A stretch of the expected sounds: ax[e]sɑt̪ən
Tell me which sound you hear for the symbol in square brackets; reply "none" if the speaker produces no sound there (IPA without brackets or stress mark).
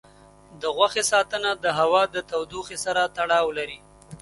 e